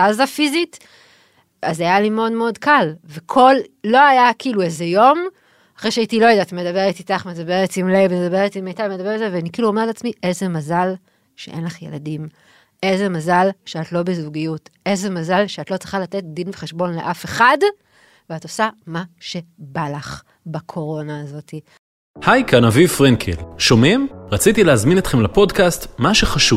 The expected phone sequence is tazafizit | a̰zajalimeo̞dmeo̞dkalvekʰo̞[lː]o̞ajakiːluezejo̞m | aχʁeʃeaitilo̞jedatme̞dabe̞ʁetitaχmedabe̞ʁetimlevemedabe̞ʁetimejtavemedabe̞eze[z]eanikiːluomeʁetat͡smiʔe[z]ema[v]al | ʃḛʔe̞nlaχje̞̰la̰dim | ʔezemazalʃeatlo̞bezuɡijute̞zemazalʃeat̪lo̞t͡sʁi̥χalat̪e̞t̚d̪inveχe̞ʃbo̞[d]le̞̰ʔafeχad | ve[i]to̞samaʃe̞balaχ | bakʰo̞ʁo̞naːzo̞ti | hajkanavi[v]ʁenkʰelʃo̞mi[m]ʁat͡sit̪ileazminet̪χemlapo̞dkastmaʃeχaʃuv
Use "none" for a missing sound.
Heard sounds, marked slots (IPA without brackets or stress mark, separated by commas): lː, v, z, z, n, a, f, m